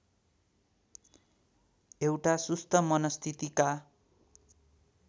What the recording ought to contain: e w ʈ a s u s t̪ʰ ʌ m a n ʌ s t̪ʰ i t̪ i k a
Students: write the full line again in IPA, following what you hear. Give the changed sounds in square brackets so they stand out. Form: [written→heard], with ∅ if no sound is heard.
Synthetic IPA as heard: e w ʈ a s u s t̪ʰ ʌ m [a→ʌ] n ʌ s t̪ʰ i t̪ i k a